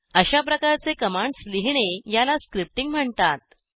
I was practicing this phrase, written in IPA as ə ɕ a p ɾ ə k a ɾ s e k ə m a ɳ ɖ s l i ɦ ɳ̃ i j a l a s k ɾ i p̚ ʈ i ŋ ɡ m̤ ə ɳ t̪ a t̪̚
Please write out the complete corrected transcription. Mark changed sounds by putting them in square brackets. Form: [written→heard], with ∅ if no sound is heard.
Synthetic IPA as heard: ə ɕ a p ɾ ə k a ɾ [s→t͡s] e k ə m a ɳ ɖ s l i ɦ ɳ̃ [i→e] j a l a s k ɾ i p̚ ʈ i ŋ ɡ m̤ ə ɳ t̪ a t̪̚